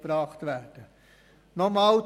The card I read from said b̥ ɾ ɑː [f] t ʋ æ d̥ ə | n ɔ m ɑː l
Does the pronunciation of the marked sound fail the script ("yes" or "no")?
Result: yes